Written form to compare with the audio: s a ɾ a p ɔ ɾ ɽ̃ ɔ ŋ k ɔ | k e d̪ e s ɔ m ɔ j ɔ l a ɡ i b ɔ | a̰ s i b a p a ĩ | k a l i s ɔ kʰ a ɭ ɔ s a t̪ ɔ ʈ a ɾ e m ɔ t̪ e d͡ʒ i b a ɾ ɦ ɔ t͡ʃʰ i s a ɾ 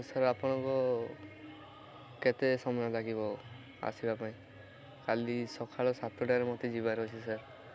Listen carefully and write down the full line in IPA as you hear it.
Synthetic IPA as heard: s a ɾ a p ɔ ɽ̃ ɔ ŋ k ɔ | k e t̪ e s ɔ m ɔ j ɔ l a ɡ i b ɔ | a̰ s i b a p a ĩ | k a l i s ɔ kʰ a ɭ ɔ s a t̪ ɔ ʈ a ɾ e m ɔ t̪ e d͡ʒ i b a ɾ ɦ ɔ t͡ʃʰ i s a ɾ

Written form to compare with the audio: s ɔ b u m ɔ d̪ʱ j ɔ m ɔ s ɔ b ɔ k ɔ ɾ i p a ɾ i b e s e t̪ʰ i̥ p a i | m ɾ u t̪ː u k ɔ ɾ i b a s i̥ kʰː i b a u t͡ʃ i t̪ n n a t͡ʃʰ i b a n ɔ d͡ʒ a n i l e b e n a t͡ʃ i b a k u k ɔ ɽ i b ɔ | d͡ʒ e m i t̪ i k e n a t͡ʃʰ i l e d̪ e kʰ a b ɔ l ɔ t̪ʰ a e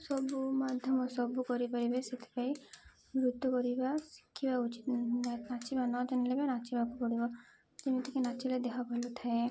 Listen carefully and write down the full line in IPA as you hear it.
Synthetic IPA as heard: s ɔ b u m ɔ d̪ʱ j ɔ m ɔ s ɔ b u k ɔ ɾ i p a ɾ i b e s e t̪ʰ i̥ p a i | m ɾ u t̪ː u k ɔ ɾ i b a s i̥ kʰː i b a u t͡ʃ i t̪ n n a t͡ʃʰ i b a n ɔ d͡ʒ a n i l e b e n a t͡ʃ i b a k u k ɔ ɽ i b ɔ | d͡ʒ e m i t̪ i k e n a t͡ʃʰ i l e d̪ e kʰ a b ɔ l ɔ t̪ʰ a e

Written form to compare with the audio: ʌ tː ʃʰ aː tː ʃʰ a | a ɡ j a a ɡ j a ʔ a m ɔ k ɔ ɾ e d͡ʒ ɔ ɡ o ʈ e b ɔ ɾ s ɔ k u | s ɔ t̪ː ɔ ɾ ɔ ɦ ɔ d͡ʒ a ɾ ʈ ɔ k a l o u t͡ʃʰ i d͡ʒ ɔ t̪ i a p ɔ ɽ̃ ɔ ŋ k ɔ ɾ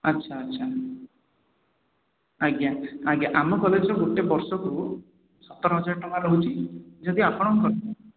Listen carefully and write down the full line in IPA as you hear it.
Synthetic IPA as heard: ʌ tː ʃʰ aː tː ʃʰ a | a ɡ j a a ɡ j a ʔ a m ɔ k ɔ l e d͡ʒ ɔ ɡ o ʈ e b ɔ ɾ s ɔ k u | s ɔ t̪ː ɔ ɾ ɔ ɦ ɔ d͡ʒ a ɾ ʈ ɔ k a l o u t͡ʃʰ i d͡ʒ ɔ d̪ i a p ɔ ɽ̃ ɔ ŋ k ɔ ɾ

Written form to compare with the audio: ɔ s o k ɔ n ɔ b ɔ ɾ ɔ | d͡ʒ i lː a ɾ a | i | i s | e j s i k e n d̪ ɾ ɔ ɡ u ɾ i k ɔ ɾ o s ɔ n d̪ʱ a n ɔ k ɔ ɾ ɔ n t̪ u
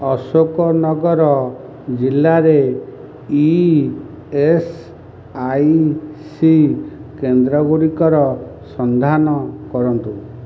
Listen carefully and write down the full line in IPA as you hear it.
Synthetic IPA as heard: ɔ s o k ɔ n ɔ ɡ ɔ ɾ ɔ | d͡ʒ i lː a ɾ e | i | e s | a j s i k e n d̪ ɾ ɔ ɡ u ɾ i k ɔ ɾ ɔ s ɔ n d̪ʱ a n ɔ k ɔ ɾ ɔ n t̪ u

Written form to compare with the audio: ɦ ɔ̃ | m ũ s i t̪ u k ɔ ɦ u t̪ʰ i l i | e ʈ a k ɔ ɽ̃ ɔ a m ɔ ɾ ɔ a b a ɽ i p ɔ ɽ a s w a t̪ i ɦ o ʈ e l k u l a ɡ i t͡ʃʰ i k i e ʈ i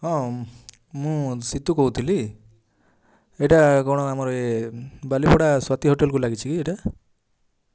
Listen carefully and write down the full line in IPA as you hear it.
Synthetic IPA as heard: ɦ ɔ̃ | m ũ s i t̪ u k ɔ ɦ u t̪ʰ i l i | e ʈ a k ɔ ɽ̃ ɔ a m ɔ ɾ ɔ e b a l i p ɔ ɽ a s w a t̪ i ɦ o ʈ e l k u l a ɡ i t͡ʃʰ i k i e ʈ a

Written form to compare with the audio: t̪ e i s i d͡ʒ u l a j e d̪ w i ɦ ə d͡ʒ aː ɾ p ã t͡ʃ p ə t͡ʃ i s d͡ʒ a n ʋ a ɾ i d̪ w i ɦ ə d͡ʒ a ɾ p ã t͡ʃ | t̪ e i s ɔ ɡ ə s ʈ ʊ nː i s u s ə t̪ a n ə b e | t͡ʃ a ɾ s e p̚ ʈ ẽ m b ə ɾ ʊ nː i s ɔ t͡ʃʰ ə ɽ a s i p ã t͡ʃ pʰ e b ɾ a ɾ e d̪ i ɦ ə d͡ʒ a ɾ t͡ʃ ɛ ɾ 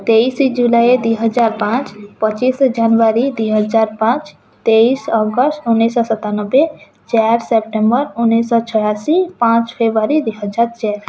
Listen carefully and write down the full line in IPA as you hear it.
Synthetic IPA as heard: t̪ e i s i d͡ʒ u l a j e d̪ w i ɦ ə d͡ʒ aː ɾ p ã t͡ʃ p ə t͡ʃ i s d͡ʒ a n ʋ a ɾ i d̪ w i ɦ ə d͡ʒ a ɾ p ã t͡ʃ | t̪ e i s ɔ ɡ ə s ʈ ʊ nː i s ɔ s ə t̪ a n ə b e | t͡ʃ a ɾ s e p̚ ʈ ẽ m b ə ɾ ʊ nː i s ɔ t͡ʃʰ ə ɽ a s i p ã t͡ʃ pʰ e b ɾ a ɾ i d̪ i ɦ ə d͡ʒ a ɾ t͡ʃ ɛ ɾ

